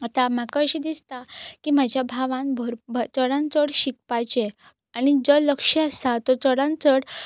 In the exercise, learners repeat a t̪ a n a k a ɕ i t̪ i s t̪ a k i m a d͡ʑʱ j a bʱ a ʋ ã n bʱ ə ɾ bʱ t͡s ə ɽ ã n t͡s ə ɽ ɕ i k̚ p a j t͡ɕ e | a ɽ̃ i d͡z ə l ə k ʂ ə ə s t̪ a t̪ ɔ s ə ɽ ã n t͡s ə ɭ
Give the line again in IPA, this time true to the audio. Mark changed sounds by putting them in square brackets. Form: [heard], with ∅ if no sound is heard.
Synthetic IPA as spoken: a t̪ a [m] a k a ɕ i [d̪] i s t̪ a k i m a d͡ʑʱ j a bʱ a ʋ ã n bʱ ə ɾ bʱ t͡s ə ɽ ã n t͡s ə ɽ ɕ i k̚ p a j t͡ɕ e | a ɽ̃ i d͡z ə l ə k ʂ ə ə s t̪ a t̪ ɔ [t͡s] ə ɽ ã n t͡s ə [ɽ]

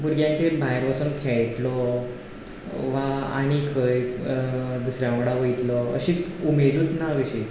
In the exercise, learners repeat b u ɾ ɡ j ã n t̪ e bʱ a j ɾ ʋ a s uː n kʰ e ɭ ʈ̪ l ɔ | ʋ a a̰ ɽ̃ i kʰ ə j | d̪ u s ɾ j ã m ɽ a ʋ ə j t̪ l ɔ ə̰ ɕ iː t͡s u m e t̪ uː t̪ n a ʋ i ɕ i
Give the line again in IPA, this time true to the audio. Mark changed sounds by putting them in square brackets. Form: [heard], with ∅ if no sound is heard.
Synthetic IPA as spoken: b u ɾ ɡ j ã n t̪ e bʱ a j ɾ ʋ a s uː n kʰ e ɭ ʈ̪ l ɔ | ʋ a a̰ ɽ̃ i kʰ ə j | d̪ u s ɾ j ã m ɽ a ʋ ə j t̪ l ɔ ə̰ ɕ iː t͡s u m e [d̪] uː t̪ n a ʋ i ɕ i

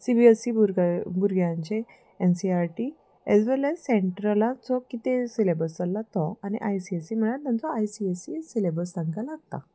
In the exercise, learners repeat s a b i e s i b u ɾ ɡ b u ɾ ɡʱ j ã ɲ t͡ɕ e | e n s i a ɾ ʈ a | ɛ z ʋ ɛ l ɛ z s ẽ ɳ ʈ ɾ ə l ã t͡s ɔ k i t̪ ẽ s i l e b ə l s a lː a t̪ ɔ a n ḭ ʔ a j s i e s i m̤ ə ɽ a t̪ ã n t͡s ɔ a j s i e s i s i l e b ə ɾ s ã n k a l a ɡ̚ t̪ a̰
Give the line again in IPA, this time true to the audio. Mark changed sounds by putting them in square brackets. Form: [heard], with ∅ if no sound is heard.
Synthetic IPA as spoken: s [i] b i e s i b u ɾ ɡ b u ɾ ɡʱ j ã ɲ t͡ɕ e | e n s i a ɾ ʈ [i] | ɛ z ʋ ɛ l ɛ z s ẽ ɳ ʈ ɾ ə l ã t͡s ɔ k i t̪ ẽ s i l e b ə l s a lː a t̪ ɔ a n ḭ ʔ a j s i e s i m̤ ə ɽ a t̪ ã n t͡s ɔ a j s i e s i s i l e b ə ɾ s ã [ŋ] k a l a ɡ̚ t̪ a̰

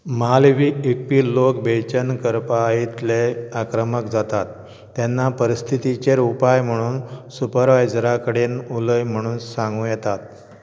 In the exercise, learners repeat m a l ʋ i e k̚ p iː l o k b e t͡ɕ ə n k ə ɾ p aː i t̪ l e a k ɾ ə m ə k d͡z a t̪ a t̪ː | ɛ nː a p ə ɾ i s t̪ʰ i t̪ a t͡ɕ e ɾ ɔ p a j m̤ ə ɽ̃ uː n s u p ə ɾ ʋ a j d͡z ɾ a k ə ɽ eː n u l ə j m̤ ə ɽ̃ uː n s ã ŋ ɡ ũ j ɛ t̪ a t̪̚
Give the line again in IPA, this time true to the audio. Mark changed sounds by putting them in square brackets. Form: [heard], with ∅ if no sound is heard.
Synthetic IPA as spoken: m a l ʋ i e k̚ p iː l o k b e t͡ɕ ə n k ə ɾ p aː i t̪ l e a k ɾ ə m ə k d͡z a t̪ a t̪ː | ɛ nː a p ə ɾ i s t̪ʰ i t̪ [i] t͡ɕ e ɾ [u] p a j m̤ ə ɽ̃ uː n s u p ə ɾ ʋ a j d͡z ɾ a k ə ɽ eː n u l ə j m̤ ə ɽ̃ uː n s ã ŋ ɡ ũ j ɛ t̪ a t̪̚

